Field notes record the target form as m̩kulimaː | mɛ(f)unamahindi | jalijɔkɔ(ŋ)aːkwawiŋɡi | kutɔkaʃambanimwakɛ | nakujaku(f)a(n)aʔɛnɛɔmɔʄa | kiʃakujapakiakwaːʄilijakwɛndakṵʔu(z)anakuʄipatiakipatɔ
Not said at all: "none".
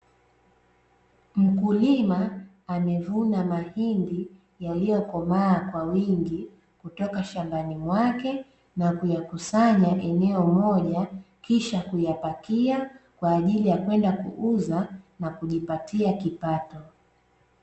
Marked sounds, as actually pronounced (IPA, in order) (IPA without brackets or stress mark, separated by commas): v, m, s, ɲ, z